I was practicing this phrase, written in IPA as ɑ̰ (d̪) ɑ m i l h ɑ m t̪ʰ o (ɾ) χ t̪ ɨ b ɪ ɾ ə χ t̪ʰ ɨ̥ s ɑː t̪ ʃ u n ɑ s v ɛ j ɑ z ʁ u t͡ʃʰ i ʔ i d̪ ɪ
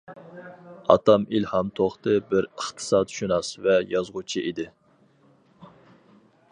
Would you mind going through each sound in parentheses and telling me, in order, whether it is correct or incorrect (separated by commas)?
incorrect, incorrect